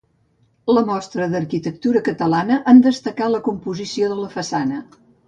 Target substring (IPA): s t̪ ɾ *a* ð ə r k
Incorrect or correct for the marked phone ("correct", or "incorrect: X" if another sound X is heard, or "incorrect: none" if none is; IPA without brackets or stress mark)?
incorrect: ə